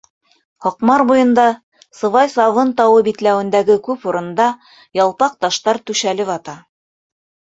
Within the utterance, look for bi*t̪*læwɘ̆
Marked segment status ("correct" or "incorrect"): correct